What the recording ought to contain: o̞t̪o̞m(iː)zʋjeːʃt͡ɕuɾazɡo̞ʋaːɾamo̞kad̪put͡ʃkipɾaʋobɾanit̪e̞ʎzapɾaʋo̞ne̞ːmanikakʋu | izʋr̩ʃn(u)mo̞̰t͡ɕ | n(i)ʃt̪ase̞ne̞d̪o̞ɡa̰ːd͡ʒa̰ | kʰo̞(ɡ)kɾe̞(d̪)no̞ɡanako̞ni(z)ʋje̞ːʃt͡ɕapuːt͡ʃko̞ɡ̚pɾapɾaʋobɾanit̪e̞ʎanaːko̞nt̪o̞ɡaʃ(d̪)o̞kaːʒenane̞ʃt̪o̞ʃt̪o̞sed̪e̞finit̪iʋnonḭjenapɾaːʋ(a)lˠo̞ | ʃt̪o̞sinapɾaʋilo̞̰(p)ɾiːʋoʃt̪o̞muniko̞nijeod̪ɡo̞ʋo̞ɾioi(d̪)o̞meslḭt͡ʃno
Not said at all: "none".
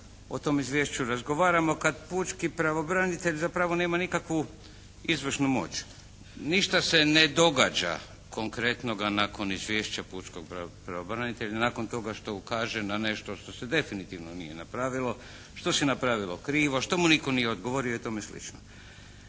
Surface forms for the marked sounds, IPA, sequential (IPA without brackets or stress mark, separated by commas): i, u, i, ŋ, t̪, z, t̪, i, k, t̪